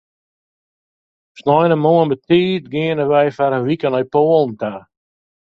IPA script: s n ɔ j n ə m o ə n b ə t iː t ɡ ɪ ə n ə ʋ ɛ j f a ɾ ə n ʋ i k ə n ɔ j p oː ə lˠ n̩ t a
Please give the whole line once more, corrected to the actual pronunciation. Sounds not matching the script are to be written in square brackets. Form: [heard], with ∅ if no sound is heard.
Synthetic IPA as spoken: s n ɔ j n ə m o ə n b ə t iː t ɡ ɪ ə n ə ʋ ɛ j f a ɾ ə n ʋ i k ə n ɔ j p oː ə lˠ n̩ t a